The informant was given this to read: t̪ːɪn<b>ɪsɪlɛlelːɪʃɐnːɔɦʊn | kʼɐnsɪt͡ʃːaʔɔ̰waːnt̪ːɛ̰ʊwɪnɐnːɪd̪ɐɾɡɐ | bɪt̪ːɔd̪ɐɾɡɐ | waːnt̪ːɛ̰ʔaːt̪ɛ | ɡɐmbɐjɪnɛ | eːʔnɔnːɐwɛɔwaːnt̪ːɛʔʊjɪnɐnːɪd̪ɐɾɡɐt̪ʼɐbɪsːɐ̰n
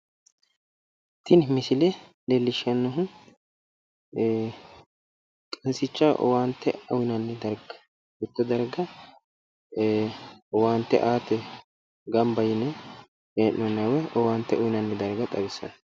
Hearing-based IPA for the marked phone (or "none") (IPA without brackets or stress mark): m